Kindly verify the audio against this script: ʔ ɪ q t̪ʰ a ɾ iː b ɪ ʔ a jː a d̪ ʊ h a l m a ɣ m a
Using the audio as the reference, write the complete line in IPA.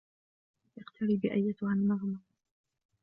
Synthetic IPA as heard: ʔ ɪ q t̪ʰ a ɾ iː b ɪ ʔ a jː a t̪ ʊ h a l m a ɣ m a